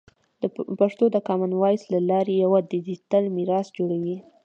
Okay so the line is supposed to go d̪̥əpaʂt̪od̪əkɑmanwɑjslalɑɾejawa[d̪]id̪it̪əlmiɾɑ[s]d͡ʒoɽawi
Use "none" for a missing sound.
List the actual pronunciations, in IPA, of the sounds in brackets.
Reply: d̪, s

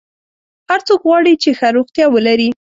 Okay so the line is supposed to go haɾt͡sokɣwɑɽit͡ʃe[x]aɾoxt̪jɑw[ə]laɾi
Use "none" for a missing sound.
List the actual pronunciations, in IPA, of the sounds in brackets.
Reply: x, ə

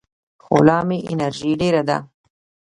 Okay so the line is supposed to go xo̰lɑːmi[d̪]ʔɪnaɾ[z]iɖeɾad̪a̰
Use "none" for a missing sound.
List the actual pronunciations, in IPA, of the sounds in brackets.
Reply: none, ʒ

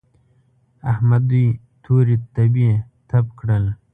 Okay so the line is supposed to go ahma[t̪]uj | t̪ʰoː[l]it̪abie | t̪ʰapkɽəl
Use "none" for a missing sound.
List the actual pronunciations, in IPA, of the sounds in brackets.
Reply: d̪, ɾ

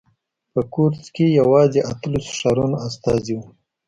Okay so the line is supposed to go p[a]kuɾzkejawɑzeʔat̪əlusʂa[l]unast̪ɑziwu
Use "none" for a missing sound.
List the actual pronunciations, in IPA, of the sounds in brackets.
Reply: ə, ɾ

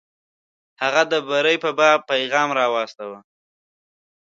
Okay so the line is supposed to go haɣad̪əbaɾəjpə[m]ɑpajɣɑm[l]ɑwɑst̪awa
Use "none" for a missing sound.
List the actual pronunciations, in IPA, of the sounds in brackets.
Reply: b, ɾ

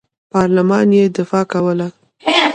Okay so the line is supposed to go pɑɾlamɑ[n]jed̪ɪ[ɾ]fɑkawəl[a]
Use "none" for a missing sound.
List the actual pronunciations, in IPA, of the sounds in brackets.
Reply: n, none, a

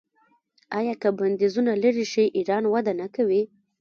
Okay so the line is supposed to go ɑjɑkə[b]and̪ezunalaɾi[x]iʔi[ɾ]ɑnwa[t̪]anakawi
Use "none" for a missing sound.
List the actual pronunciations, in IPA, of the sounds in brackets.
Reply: b, ʃ, ɾ, d̪

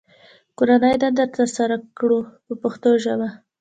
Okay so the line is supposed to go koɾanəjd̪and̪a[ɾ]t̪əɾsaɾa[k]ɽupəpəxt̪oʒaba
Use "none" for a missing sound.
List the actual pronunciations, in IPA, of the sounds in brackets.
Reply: ɾ, k

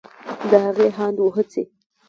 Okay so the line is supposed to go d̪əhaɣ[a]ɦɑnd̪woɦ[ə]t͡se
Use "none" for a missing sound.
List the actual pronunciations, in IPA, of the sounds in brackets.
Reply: e, ə

